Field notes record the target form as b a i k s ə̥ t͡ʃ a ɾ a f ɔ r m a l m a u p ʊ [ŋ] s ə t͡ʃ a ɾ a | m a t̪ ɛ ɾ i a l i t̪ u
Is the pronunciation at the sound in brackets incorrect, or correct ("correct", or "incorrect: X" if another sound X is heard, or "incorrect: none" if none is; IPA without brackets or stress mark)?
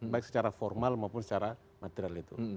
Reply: incorrect: n